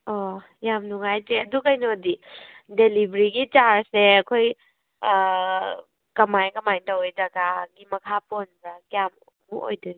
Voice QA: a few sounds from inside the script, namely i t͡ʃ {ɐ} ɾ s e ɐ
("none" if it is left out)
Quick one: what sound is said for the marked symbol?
a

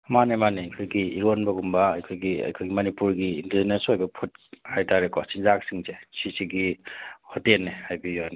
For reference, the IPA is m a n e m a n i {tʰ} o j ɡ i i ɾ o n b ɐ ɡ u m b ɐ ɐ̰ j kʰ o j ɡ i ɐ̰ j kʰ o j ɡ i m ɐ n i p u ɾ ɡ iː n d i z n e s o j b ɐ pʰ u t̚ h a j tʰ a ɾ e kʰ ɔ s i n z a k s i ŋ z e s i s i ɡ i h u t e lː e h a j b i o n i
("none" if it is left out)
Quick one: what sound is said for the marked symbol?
kʰ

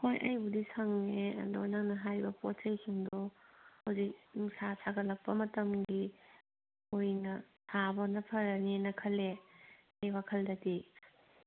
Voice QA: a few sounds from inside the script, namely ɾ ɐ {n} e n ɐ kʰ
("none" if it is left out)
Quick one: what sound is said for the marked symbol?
n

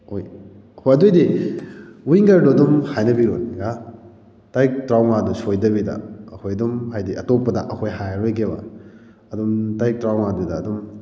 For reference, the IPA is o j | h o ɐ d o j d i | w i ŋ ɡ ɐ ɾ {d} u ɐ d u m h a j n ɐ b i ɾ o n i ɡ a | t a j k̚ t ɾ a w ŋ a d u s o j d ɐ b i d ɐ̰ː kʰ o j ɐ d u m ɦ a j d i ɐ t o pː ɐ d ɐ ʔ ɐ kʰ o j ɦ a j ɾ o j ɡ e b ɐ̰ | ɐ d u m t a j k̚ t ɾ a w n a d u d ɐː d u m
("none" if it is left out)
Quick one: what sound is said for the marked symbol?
d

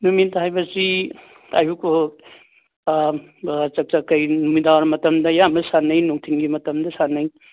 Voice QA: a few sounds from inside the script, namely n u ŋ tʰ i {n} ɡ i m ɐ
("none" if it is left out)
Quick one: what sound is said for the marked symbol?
ŋ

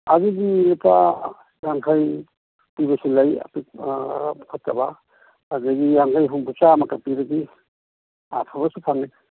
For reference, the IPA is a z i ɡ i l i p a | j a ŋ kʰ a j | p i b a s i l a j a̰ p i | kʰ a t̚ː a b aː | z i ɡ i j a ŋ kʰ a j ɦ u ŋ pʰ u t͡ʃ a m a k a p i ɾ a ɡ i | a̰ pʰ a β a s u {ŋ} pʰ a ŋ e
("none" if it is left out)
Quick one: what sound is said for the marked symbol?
none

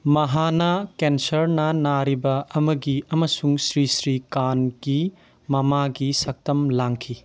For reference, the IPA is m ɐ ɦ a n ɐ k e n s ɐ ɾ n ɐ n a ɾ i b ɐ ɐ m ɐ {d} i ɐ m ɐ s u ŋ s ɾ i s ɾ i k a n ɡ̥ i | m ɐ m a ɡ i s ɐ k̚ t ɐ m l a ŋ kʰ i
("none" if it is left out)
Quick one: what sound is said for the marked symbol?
ɡ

